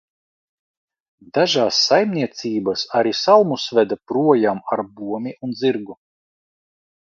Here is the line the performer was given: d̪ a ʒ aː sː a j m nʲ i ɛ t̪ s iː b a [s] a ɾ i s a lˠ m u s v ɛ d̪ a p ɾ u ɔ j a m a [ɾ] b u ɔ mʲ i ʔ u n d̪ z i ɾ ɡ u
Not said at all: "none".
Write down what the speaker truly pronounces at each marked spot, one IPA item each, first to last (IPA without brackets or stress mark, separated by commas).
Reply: s, ɾ